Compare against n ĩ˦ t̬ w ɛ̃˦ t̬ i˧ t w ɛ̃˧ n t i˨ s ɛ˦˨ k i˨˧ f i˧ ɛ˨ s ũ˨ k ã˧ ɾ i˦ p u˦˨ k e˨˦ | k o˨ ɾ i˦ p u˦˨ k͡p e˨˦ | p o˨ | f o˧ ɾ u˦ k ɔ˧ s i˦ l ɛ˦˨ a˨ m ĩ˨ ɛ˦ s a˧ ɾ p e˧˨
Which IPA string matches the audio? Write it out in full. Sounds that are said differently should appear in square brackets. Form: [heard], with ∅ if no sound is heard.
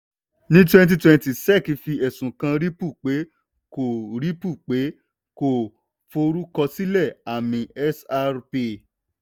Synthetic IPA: n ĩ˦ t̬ w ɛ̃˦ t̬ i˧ t w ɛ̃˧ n t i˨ s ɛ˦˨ k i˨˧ f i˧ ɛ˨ s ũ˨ k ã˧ ɾ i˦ p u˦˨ [k͡p] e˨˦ | k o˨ ɾ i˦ p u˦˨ k͡p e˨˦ | [k] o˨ | f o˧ ɾ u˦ k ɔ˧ s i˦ l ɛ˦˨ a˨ m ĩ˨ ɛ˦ s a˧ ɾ p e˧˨